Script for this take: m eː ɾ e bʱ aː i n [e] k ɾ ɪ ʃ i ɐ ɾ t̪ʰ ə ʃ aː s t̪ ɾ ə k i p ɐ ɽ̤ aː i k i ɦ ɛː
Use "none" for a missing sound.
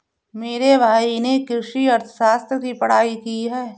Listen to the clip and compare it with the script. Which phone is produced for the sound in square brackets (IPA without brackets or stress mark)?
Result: e